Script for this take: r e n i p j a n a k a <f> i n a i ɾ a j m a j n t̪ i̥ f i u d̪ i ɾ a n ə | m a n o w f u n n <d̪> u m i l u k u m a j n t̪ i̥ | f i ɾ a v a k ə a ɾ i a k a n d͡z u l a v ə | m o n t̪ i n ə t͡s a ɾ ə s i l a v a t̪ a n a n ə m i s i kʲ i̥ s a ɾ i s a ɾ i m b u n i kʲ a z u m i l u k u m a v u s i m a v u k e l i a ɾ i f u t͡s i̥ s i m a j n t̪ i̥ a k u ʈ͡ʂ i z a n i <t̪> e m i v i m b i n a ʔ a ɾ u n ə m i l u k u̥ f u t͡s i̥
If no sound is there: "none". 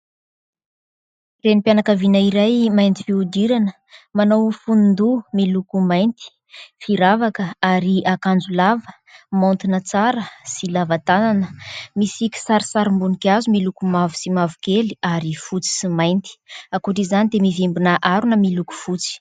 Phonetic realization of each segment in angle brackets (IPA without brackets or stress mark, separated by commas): v, d̪, d̪